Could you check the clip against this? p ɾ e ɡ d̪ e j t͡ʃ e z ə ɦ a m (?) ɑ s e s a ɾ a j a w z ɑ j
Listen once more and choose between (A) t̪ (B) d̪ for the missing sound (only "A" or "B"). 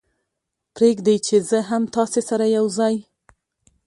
A